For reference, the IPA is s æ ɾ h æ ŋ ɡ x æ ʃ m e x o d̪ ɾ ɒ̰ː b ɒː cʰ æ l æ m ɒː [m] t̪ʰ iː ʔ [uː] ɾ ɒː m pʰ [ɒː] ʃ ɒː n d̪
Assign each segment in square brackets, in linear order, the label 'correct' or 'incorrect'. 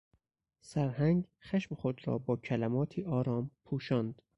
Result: incorrect, incorrect, incorrect

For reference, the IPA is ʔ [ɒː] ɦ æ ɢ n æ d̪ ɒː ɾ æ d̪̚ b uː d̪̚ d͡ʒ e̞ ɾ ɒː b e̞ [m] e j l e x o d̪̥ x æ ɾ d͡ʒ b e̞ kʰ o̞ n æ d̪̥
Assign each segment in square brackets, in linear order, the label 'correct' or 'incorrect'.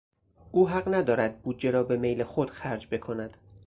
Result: incorrect, correct

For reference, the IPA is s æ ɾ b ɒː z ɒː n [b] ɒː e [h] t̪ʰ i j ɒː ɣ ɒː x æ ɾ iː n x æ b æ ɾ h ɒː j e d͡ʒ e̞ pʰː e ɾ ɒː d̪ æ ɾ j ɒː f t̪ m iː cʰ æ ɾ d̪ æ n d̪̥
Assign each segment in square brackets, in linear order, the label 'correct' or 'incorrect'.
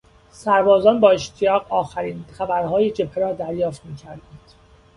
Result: correct, incorrect

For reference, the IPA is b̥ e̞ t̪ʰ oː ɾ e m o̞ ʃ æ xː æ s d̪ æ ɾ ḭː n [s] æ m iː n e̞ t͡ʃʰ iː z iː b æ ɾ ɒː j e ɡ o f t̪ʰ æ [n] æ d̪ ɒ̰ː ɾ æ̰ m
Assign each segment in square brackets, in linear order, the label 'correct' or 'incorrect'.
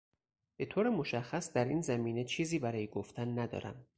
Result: incorrect, incorrect

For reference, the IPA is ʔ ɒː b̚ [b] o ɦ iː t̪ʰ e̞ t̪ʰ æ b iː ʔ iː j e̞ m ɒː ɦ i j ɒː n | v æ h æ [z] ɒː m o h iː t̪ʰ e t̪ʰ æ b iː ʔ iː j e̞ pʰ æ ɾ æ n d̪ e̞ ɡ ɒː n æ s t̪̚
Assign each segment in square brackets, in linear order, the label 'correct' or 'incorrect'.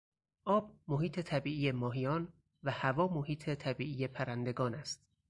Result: incorrect, incorrect

